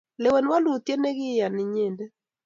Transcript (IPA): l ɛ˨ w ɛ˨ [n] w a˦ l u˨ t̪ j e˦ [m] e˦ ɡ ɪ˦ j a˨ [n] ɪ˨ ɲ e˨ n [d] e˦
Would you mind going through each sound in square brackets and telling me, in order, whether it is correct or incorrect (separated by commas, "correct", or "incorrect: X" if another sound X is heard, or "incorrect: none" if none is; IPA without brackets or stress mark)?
correct, incorrect: n, correct, correct